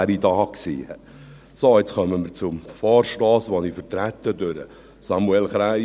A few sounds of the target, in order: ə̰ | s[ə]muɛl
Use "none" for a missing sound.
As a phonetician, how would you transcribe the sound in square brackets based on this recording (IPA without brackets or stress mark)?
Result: ɑ